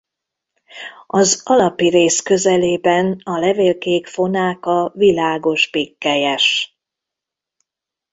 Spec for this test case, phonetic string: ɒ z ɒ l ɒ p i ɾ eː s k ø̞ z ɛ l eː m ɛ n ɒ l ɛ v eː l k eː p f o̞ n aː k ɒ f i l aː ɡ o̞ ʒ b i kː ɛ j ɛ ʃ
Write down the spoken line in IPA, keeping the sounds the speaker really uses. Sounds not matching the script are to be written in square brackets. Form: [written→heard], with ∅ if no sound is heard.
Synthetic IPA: ɒ z ɒ l ɒ p i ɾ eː s k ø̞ z ɛ l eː [m→b] ɛ n ɒ l ɛ v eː l k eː [p→k] f o̞ n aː k ɒ [f→v] i l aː ɡ o̞ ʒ b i kː ɛ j ɛ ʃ